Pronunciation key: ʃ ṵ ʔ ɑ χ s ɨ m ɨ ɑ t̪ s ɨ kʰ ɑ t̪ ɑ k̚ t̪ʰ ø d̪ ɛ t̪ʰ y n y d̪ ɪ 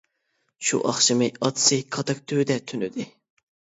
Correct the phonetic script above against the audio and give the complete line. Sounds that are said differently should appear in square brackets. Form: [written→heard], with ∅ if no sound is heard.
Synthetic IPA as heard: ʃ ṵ ʔ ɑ χ [s→ʃ] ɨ m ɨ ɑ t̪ s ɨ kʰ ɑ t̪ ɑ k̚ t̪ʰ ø d̪ ɛ t̪ʰ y n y d̪ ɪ